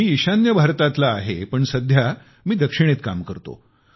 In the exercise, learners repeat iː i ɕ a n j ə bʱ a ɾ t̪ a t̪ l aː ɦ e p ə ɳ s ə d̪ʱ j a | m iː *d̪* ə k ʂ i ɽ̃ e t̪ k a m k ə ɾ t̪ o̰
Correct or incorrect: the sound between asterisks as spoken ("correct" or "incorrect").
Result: correct